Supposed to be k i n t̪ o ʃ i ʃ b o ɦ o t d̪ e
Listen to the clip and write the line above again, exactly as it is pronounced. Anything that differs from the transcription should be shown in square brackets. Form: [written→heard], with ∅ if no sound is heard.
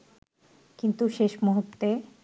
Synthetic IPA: k i n t̪ [o→u] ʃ [i→e] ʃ [b→m] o ɦ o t [d̪→t̪] e